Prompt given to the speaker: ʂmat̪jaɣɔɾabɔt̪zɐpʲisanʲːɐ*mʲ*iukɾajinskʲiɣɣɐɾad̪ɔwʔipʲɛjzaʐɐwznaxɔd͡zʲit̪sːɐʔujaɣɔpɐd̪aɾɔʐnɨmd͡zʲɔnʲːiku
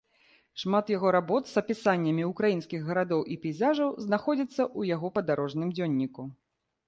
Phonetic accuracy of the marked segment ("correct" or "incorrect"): correct